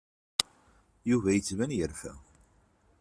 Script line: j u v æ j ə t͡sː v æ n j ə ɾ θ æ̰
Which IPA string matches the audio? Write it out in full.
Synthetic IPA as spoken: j u v æ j ə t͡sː v æ n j ə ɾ f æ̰